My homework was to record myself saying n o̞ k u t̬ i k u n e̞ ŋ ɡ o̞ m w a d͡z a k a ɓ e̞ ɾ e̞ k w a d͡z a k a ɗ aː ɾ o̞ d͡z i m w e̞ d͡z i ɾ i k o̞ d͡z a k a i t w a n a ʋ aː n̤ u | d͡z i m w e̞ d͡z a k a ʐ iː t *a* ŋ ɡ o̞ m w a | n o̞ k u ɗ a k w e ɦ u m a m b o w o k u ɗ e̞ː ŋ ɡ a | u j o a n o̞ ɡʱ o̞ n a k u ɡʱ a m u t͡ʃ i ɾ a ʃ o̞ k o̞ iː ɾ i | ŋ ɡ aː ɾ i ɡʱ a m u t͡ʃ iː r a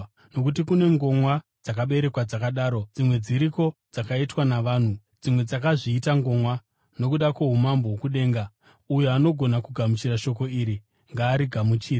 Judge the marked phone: correct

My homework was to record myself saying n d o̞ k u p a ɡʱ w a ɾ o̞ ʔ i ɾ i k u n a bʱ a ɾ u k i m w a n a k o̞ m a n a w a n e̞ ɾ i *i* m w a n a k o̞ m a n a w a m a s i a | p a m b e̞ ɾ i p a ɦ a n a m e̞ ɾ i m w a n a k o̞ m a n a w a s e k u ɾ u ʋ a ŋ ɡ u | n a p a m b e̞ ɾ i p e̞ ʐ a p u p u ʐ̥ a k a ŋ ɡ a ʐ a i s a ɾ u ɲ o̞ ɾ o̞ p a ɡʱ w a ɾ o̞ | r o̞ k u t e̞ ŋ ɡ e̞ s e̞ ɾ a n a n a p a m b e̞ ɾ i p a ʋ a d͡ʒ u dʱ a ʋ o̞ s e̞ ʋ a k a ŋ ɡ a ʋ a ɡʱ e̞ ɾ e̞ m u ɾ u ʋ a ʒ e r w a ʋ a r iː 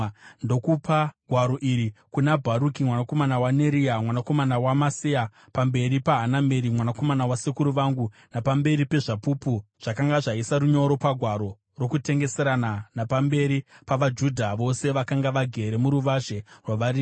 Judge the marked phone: incorrect: a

